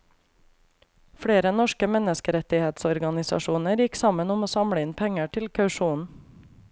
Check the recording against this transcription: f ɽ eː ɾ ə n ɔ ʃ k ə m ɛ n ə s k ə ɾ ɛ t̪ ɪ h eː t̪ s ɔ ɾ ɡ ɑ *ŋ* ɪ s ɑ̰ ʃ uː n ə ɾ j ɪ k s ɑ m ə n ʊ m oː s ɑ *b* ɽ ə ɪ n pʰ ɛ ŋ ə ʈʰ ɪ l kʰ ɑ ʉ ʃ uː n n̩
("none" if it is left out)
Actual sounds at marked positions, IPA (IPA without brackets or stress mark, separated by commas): n, m